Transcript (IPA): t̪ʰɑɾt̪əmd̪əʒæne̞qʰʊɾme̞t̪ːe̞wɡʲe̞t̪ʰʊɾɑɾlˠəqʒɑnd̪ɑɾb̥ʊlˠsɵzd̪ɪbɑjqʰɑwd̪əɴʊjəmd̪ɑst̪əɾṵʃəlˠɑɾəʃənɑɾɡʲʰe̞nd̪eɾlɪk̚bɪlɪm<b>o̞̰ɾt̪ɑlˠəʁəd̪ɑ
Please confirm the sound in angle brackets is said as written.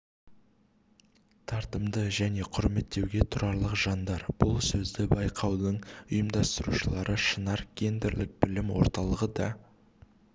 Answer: no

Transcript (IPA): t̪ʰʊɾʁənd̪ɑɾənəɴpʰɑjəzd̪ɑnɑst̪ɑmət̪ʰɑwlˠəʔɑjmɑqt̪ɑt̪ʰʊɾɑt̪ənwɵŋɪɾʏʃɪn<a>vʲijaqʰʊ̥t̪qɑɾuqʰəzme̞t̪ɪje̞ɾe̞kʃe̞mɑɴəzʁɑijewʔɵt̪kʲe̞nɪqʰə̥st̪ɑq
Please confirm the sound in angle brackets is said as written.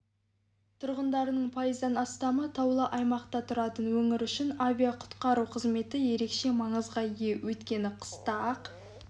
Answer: yes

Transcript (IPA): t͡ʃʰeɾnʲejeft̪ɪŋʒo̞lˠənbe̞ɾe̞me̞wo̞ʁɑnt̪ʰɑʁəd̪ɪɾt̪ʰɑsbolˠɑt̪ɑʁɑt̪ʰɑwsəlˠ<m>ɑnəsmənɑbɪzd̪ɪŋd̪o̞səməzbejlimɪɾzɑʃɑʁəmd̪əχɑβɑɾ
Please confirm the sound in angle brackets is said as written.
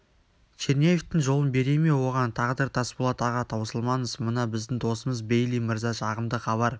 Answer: yes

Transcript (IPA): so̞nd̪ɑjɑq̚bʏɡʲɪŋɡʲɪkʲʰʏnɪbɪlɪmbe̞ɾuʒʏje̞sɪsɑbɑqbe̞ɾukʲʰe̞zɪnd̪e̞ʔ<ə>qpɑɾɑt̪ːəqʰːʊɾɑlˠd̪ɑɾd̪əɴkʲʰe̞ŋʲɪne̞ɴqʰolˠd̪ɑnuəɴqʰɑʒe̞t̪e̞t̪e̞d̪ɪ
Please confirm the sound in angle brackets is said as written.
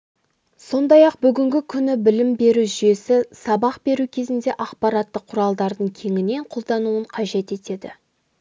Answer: no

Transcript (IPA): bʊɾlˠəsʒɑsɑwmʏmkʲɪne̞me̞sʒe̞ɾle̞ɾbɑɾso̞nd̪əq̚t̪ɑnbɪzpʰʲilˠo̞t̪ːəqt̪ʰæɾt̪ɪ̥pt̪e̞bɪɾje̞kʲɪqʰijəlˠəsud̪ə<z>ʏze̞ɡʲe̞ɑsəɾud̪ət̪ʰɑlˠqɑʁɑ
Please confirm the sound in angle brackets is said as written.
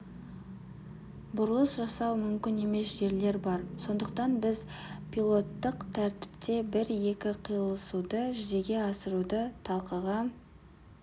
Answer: no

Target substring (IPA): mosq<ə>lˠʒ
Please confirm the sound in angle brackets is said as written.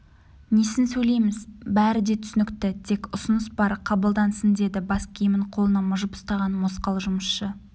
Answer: no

